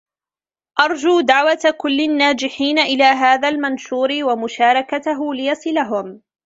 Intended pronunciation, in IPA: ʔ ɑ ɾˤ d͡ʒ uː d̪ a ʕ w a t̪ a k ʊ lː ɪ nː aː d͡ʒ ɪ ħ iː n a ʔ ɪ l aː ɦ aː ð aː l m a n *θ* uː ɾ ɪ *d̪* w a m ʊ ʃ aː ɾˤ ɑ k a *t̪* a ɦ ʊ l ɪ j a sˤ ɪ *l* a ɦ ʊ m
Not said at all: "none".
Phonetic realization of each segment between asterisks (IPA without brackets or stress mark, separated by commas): ʃ, none, t̪, l